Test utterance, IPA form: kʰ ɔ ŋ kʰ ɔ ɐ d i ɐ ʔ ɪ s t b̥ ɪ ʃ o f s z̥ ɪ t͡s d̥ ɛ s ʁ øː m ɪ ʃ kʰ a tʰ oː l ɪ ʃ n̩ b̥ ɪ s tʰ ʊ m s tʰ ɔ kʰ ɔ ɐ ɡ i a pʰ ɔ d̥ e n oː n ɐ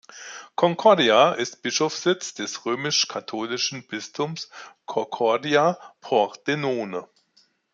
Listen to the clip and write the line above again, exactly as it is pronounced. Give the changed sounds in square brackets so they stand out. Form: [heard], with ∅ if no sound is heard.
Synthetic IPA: kʰ ɔ ŋ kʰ ɔ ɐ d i [a] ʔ ɪ s t b̥ ɪ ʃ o f s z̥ ɪ t͡s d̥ ɛ s ʁ øː m ɪ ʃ kʰ a tʰ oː l ɪ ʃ n̩ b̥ ɪ s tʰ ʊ m s [kʰ] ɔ kʰ ɔ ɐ [d] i a pʰ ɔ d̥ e n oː n [ə]